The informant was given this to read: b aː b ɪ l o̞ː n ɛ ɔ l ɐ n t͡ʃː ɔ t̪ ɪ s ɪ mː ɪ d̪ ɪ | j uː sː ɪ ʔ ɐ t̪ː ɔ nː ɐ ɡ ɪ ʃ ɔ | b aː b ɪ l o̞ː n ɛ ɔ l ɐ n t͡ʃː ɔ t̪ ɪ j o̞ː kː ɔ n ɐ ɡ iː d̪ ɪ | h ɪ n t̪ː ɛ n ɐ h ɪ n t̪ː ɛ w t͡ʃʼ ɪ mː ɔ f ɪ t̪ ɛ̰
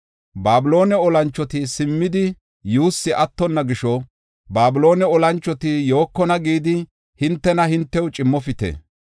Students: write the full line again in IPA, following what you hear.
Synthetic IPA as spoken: b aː b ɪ l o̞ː n ɛ ɔ l ɐ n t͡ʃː ɔ t̪ ɪ s ɪ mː ɪ d̪ ɪ | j uː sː ɪ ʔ ɐ t̪ː ɔ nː ɐ ɡ ɪ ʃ ɔ | b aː b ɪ l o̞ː n ɛ ɔ l ɐ n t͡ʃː ɔ t̪ ɪ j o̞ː kː ɔ n ɐ ɡ iː d̪ ɪ | h ɪ n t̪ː ɛ n ɐ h ɪ n t̪ː ɛ w t͡ʃʼ ɪ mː ɔ f ɪ t̪ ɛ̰